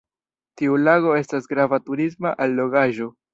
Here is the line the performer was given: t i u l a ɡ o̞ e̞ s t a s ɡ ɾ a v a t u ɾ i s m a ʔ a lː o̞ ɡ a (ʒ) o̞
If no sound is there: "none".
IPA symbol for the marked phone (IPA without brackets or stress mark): ʒ